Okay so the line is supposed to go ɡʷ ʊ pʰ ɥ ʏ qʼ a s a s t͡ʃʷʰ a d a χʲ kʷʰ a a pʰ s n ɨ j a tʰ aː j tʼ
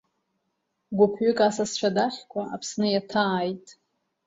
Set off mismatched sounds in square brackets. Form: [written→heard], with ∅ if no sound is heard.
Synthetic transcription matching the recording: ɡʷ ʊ pʰ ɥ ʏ [qʼ→kʼ] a s a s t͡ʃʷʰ a d a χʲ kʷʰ a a pʰ s n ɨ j a tʰ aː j tʼ